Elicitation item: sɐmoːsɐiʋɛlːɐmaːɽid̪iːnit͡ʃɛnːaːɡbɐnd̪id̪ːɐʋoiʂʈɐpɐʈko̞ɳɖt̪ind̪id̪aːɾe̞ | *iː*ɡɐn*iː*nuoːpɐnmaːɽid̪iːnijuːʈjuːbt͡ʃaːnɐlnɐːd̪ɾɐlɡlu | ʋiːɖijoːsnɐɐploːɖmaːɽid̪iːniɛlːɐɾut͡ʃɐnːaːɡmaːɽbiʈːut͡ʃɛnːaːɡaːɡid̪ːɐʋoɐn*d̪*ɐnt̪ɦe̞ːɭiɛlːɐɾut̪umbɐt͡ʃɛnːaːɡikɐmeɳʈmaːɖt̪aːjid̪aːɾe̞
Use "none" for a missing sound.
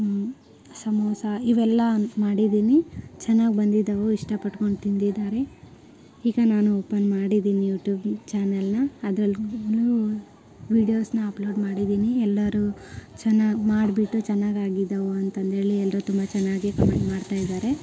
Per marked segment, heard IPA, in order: iː, aː, t̪

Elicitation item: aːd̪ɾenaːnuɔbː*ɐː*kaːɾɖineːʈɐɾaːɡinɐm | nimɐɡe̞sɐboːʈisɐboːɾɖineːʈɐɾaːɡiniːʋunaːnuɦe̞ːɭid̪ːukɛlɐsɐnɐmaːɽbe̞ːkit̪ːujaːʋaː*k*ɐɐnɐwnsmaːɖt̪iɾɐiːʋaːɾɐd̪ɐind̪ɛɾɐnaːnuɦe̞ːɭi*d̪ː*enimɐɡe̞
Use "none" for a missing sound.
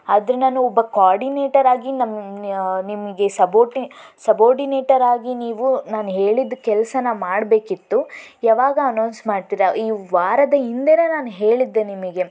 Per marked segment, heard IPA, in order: ɐ, ɡ, d̪ː

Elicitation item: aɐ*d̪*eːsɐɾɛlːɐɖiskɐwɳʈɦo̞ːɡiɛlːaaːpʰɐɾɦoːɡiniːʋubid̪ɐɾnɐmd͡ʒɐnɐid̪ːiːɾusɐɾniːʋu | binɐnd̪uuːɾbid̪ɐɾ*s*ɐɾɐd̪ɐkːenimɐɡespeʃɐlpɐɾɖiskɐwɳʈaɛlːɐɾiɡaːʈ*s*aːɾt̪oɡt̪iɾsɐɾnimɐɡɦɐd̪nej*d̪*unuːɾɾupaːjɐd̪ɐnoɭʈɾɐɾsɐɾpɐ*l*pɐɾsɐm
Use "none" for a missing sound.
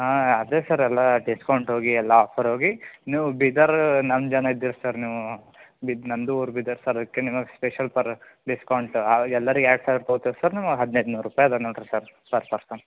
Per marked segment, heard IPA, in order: d̪, s, s, d̪, ɾ

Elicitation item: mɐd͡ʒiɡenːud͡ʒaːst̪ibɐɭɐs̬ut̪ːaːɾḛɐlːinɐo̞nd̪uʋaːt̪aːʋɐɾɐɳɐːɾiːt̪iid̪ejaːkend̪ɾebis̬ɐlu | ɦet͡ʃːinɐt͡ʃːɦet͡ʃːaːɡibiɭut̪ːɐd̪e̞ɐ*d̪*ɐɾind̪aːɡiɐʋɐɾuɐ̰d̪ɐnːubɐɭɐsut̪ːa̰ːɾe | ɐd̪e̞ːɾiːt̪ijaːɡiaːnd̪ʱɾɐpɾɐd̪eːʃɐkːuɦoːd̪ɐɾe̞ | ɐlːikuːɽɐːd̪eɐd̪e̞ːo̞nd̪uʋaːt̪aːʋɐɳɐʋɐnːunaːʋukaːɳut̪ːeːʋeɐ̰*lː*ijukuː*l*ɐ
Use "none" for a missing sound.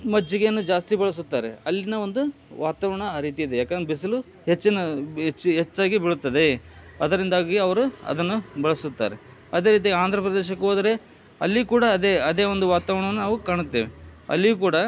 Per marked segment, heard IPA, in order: d̪, lː, ɽ

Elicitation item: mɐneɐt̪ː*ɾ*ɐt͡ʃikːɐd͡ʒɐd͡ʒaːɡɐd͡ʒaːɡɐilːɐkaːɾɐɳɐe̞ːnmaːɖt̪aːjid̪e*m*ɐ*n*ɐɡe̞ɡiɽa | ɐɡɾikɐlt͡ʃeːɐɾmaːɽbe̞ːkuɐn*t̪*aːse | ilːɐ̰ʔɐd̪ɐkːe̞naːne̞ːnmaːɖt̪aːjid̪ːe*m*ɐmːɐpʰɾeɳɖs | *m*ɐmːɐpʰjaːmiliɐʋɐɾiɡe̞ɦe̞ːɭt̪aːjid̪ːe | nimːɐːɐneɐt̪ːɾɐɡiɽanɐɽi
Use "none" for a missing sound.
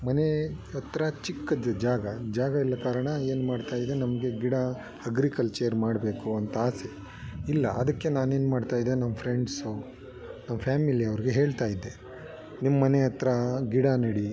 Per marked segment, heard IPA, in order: ɾ, n, m, t̪, n, n

